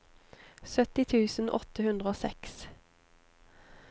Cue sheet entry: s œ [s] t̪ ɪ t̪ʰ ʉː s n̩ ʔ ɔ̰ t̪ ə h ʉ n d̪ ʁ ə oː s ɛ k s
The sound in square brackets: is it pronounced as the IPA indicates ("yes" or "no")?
no